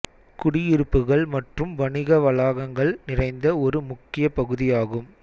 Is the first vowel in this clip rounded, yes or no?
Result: yes